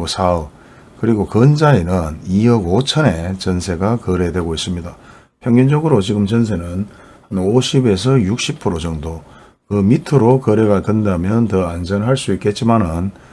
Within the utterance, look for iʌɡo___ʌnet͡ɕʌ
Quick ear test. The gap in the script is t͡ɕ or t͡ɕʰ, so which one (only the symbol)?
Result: t͡ɕʰ